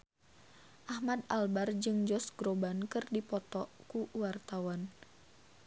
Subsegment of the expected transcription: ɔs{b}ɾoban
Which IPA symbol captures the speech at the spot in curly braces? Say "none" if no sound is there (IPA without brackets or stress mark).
ɡ